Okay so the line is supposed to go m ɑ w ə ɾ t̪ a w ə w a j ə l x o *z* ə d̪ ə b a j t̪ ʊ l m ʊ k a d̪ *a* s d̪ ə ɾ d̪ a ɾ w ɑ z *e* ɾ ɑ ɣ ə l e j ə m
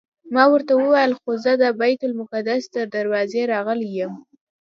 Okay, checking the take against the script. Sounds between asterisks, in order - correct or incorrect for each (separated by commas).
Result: correct, correct, correct